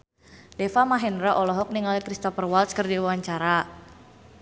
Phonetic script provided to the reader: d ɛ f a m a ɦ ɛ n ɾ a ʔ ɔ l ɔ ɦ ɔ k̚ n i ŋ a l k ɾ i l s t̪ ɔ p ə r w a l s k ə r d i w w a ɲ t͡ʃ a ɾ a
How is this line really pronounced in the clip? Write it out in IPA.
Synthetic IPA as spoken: d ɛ f a m a ɦ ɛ n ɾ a ʔ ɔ l ɔ ɦ ɔ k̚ n i ŋ a l k ɾ i s t̪ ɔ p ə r w a l s k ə r d i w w a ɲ t͡ʃ a ɾ a